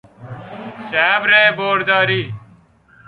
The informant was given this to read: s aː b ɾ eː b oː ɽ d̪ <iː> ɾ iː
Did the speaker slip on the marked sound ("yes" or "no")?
yes